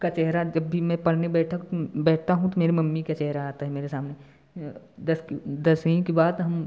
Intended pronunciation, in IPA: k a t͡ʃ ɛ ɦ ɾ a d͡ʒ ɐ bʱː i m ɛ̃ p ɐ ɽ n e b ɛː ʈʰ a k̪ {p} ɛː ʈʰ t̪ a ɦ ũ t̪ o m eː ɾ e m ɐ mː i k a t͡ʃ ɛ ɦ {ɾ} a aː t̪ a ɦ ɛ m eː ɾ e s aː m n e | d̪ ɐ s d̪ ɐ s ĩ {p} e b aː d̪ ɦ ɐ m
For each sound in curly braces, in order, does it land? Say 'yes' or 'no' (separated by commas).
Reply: no, yes, no